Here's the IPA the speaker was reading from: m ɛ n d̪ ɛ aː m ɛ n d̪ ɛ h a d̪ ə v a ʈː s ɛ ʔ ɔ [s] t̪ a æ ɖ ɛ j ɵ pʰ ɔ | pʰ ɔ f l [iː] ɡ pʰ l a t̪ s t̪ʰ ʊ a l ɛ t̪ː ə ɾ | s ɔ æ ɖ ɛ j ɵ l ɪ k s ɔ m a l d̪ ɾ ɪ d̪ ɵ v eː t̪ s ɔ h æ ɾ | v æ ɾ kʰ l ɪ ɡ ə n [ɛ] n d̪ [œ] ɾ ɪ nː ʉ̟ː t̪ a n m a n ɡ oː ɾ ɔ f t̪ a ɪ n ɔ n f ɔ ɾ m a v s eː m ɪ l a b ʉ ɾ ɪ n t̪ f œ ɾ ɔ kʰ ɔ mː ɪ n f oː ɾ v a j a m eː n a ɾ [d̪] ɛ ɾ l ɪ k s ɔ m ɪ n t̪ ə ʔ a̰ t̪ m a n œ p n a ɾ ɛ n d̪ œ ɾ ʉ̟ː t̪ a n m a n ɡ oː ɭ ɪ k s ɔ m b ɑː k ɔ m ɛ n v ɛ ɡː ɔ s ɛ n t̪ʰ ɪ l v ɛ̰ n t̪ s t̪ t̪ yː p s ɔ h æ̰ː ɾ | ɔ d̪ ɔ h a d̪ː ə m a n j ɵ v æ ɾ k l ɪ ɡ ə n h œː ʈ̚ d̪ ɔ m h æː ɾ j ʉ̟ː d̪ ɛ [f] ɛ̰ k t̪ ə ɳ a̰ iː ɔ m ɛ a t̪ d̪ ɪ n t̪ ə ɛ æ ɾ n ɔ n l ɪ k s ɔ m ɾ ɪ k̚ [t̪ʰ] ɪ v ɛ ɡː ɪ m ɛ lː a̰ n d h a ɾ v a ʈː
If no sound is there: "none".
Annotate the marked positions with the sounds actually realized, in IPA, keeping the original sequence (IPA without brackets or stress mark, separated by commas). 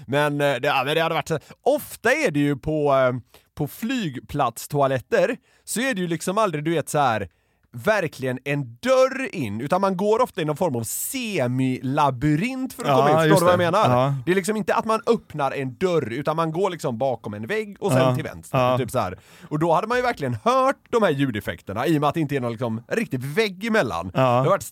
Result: f, yː, ɛ, œ, d̪, f, t̪